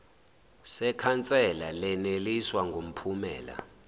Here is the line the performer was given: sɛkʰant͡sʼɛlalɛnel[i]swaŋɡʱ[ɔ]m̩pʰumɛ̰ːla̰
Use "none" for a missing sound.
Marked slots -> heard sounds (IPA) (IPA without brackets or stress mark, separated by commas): i, o